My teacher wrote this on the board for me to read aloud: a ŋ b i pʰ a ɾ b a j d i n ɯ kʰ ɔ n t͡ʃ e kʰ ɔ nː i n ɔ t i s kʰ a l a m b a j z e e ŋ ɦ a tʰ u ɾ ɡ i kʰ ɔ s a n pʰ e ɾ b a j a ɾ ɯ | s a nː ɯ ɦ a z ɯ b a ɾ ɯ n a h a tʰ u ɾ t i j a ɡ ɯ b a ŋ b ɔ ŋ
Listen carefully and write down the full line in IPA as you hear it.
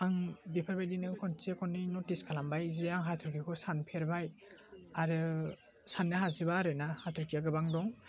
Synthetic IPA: a ŋ b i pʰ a ɾ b a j d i n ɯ kʰ ɔ n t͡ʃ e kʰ ɔ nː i n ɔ t i s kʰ a l a m b a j z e a ŋ ɦ a tʰ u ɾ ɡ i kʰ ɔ s a n pʰ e ɾ b a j a ɾ ɯ | s a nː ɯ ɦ a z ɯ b a ɾ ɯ n a h a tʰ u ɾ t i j a ɡ ɯ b a ŋ d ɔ ŋ